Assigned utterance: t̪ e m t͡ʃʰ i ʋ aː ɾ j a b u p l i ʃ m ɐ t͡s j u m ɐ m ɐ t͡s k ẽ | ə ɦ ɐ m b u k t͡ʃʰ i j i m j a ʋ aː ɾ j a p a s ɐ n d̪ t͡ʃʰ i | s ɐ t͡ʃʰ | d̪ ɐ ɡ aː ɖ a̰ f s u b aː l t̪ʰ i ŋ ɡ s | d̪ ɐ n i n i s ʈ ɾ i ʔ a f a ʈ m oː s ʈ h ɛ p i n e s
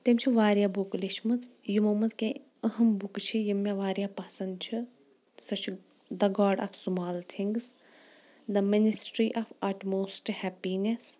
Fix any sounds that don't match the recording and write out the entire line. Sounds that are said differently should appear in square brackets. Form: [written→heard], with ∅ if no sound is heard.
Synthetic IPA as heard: t̪ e m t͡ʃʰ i ʋ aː ɾ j a b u [p→k] l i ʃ m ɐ t͡s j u m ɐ m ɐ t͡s k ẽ | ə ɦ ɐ m b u k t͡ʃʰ i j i m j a ʋ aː ɾ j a p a s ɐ n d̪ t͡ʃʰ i | s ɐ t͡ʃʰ | d̪ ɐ ɡ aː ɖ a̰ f s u [b→m] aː l t̪ʰ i ŋ ɡ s | d̪ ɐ [n→m] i n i s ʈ ɾ i ʔ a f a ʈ m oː s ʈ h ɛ p i n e s

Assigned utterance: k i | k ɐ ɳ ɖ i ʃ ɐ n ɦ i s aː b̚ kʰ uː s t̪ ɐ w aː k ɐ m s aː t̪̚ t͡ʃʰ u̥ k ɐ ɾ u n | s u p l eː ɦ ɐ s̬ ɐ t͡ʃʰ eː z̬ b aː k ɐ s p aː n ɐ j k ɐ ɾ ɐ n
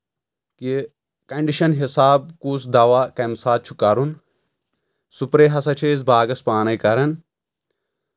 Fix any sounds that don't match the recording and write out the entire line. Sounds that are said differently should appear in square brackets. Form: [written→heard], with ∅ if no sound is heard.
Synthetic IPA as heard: k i | k ɐ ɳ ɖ i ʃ ɐ n ɦ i s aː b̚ [kʰ→k] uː s [t̪→d̪] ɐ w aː k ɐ m s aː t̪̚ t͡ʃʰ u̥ k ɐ ɾ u n | s u p [l→ɾ] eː ɦ ɐ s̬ ɐ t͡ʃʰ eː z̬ b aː [k→ɡ] ɐ s p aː n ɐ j k ɐ ɾ ɐ n

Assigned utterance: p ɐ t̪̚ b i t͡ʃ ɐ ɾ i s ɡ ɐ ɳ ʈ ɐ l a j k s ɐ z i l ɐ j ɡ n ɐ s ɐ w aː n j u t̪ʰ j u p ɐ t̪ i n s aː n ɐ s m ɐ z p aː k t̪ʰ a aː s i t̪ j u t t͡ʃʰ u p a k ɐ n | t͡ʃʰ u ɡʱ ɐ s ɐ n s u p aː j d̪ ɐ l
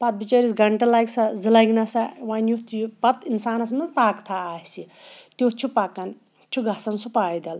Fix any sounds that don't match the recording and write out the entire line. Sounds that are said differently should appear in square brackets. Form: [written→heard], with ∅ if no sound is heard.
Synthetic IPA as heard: p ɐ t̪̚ b i t͡ʃ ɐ ɾ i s ɡ ɐ ɳ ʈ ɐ l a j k s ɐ z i l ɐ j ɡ n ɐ s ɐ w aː n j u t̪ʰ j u p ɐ t̪ i n s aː n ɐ s m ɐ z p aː k t̪ʰ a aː s i t̪ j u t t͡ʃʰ u p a k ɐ n | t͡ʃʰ u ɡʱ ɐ s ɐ n s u p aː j d̪ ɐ l

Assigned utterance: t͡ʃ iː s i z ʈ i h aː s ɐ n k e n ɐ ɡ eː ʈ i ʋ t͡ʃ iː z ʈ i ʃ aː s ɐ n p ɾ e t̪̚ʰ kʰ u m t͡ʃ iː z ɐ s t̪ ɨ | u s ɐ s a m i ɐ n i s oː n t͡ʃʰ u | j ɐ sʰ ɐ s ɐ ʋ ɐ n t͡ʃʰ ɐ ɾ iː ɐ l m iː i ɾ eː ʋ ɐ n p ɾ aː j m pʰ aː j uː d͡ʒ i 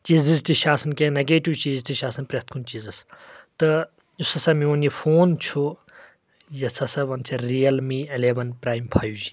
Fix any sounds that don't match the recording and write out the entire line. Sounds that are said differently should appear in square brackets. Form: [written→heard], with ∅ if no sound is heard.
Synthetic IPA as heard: t͡ʃ iː [s→z] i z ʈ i [h→ʃ] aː s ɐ n k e n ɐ ɡ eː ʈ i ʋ t͡ʃ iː z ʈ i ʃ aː s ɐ n p ɾ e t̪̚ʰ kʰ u [m→n] t͡ʃ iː z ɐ s t̪ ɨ | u s ɐ s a m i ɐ n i [s→f] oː n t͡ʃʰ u | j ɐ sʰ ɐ s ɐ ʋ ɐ n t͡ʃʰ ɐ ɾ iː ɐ l m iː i [ɾ→l] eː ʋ ɐ n p ɾ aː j m pʰ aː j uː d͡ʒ i

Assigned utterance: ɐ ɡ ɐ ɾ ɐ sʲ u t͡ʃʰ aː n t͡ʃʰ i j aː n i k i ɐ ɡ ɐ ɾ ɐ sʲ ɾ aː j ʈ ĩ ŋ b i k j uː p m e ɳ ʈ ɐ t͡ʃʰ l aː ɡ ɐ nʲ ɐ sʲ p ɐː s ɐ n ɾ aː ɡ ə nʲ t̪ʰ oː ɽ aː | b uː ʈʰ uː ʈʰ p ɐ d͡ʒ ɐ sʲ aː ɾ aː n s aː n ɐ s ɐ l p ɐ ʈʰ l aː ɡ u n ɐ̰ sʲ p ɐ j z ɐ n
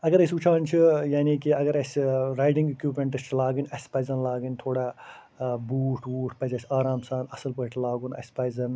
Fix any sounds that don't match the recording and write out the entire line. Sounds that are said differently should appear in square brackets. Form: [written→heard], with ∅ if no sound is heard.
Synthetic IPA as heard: ɐ ɡ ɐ ɾ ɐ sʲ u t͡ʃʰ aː n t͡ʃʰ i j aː n i k i ɐ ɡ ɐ ɾ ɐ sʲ ɾ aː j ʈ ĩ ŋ [b→ɡ] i k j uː p m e ɳ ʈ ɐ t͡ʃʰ l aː ɡ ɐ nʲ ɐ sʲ p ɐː [s→z] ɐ n [ɾ→l] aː ɡ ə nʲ t̪ʰ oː ɽ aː | b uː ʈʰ uː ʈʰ p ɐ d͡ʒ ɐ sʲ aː ɾ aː [n→m] s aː n ɐ s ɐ l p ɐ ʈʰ l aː ɡ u n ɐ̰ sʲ p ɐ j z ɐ n

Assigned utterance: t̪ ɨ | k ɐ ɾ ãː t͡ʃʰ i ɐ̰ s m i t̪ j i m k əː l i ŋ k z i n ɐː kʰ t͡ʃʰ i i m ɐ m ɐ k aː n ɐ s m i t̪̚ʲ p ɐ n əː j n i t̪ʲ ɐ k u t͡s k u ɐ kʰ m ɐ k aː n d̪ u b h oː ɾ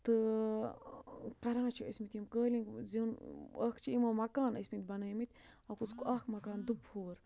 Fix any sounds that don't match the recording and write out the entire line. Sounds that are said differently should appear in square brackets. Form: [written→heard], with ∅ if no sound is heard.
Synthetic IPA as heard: t̪ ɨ | k ɐ ɾ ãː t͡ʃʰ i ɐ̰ s m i t̪ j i m k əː l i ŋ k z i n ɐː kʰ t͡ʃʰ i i m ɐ m ɐ k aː n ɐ s m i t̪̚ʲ [p→b] ɐ n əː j [n→m] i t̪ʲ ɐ k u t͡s k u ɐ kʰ m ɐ k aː n d̪ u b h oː ɾ

